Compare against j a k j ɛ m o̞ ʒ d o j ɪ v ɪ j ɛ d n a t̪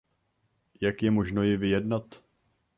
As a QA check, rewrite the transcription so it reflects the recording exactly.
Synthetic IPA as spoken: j a k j ɛ m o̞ ʒ n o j ɪ v ɪ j ɛ d n a t̪